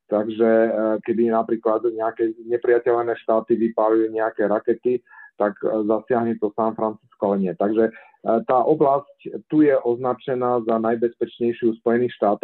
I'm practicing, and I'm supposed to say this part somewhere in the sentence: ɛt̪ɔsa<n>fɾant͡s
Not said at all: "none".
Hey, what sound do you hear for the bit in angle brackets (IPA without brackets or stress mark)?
n